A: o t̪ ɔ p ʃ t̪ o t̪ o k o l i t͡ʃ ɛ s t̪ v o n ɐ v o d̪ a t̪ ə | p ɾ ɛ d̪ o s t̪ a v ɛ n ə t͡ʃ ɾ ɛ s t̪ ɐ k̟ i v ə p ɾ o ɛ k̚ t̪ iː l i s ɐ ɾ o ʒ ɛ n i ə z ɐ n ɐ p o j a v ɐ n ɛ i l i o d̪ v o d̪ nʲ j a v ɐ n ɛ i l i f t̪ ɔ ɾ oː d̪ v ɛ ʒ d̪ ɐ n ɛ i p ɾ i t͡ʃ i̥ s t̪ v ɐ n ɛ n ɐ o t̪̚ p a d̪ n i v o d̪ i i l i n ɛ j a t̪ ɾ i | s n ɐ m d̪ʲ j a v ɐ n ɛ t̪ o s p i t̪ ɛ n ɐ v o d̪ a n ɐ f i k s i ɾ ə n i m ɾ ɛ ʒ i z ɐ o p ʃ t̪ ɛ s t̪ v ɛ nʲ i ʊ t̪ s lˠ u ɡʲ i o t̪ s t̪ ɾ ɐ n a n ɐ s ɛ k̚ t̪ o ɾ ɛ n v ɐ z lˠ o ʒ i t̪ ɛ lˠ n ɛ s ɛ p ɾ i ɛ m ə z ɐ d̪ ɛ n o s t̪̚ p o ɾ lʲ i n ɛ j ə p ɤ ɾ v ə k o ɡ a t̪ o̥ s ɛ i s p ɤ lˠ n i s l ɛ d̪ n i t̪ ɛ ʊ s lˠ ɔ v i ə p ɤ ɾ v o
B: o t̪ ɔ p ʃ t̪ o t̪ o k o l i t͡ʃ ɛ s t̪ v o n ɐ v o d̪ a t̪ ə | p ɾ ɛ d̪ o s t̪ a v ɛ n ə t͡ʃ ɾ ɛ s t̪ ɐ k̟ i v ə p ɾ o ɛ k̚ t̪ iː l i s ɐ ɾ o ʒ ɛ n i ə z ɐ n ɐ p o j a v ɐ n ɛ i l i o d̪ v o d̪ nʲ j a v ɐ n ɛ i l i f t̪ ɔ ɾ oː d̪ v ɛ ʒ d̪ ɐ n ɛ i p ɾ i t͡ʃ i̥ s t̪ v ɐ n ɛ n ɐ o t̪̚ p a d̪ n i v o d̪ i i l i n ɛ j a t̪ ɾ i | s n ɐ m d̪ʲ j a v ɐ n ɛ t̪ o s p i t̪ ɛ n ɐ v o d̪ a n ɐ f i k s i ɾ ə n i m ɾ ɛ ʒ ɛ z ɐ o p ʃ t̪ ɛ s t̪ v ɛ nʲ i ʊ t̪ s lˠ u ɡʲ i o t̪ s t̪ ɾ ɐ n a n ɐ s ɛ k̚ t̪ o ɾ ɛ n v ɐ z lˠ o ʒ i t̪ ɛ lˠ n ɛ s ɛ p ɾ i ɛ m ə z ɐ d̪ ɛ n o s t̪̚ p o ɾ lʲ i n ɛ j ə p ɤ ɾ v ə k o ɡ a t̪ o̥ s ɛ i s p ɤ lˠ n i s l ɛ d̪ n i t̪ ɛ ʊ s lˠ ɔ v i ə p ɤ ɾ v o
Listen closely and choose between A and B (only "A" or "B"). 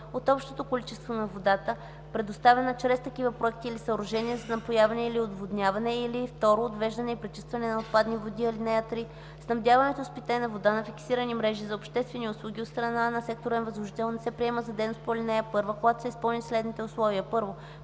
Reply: A